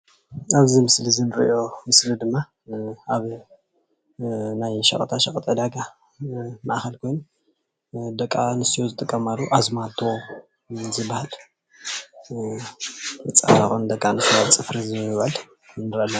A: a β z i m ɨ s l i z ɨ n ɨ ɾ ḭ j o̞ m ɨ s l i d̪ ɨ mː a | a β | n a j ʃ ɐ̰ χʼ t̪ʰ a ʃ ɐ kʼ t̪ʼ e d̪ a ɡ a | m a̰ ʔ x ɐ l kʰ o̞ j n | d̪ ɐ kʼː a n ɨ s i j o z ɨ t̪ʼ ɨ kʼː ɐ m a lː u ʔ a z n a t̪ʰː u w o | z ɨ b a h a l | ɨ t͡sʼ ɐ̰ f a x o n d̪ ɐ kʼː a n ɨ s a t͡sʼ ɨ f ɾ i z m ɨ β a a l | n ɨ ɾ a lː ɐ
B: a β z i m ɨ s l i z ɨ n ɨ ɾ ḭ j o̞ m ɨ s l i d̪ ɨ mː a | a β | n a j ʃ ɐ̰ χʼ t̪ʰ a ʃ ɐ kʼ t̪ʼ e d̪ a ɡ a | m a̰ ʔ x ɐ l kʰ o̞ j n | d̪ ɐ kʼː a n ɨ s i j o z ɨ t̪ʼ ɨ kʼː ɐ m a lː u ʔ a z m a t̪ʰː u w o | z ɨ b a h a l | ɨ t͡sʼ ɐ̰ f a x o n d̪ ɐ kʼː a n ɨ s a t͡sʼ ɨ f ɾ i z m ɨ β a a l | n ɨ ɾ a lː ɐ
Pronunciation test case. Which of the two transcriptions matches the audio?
B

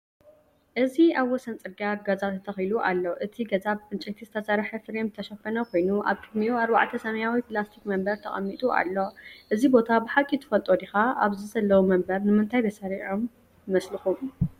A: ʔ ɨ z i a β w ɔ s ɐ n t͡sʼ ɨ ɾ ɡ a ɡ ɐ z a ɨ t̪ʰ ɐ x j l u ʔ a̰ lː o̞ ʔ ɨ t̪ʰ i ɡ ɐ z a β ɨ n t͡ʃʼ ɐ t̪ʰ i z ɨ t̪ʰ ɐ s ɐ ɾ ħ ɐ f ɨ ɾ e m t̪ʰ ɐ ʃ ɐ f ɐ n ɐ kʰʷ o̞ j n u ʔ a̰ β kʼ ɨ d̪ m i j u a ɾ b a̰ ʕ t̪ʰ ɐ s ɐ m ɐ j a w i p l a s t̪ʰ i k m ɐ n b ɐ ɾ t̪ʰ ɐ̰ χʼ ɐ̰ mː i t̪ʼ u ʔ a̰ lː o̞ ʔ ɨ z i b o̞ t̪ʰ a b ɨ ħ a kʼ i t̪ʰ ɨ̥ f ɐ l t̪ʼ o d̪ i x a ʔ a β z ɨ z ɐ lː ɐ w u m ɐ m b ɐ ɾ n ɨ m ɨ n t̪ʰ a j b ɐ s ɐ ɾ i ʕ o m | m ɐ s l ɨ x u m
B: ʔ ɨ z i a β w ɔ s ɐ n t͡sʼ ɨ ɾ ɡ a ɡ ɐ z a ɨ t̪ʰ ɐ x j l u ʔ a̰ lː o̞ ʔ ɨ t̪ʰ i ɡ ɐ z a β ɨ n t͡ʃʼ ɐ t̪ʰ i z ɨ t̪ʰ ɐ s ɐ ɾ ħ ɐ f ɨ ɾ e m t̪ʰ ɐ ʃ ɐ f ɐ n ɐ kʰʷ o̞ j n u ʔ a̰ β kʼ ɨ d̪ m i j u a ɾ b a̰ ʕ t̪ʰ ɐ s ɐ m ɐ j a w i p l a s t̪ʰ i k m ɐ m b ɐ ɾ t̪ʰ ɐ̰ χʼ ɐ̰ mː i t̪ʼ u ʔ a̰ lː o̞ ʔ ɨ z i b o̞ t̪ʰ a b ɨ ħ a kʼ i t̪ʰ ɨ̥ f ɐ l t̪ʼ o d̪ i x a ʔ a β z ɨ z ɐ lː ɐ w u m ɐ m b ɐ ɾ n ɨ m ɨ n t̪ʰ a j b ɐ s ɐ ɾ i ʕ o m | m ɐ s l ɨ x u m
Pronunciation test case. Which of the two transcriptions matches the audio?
B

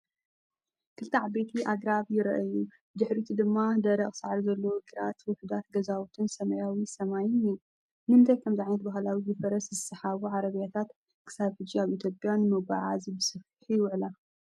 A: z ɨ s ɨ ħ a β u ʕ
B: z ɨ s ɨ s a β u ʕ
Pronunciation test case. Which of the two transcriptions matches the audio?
A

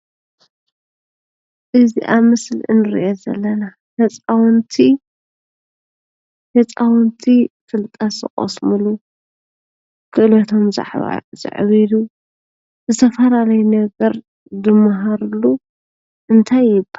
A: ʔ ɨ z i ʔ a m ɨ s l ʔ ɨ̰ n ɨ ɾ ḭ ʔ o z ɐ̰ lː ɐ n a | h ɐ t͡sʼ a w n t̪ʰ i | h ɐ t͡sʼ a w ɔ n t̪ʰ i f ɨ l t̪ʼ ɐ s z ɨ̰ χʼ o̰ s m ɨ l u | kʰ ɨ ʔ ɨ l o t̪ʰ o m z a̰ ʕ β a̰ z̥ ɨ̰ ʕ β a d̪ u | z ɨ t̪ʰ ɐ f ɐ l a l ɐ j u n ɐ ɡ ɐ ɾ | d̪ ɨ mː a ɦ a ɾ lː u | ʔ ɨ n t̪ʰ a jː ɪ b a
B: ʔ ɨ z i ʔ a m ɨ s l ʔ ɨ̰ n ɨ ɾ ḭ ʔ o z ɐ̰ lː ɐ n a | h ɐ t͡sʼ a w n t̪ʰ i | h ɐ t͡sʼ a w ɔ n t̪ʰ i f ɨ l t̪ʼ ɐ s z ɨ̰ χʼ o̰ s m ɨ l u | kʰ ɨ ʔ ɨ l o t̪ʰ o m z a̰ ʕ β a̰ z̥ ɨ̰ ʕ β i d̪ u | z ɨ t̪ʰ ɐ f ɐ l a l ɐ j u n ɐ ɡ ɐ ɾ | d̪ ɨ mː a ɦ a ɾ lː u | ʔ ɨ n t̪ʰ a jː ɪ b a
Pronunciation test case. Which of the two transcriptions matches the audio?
B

